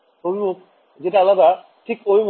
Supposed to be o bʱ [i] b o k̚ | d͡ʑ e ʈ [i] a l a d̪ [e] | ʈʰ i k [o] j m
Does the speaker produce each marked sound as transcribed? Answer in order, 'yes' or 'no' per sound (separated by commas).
yes, no, no, yes